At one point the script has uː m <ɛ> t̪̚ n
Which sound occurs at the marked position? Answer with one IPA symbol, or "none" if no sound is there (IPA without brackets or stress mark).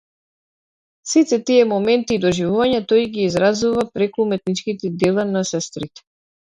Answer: ɛ